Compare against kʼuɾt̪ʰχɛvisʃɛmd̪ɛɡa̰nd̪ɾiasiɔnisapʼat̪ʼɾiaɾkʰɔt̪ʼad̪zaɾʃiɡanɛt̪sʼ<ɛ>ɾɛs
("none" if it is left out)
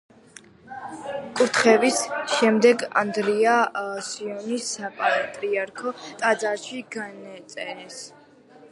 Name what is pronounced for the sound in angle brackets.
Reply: ɛ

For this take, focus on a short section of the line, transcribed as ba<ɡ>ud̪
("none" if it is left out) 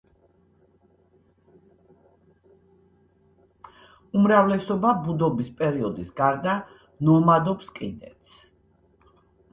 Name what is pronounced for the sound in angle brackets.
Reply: b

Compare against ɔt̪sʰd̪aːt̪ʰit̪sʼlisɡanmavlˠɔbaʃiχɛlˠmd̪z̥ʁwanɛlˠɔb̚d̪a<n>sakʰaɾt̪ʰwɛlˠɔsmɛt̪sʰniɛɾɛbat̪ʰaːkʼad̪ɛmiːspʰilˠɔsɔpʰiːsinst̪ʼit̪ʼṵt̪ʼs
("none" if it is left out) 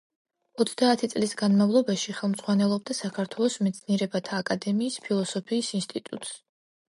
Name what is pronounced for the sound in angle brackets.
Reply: none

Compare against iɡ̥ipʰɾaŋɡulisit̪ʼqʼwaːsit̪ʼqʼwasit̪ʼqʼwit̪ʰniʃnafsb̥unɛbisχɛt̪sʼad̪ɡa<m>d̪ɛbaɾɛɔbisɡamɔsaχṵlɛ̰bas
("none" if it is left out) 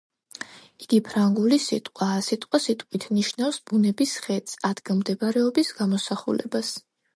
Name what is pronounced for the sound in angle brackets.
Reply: m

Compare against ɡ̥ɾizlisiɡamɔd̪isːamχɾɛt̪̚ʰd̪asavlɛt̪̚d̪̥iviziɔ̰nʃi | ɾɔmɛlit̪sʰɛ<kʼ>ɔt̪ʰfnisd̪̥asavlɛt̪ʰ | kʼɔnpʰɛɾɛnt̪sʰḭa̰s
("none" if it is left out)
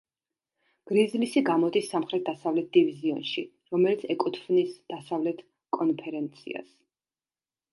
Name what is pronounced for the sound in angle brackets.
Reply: kʼ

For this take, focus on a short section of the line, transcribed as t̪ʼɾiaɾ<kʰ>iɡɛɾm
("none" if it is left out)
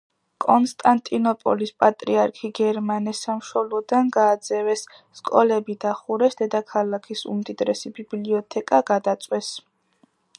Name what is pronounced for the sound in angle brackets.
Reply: kʰ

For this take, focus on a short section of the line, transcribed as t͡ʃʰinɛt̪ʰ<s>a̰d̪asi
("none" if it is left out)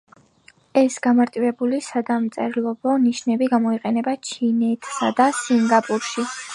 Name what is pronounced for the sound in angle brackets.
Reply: s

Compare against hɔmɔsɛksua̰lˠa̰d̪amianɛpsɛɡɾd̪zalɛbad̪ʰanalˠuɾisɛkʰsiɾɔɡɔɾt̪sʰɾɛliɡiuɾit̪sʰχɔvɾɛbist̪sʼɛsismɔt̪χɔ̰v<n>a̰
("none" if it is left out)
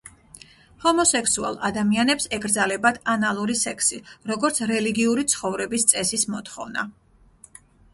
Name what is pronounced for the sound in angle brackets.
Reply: n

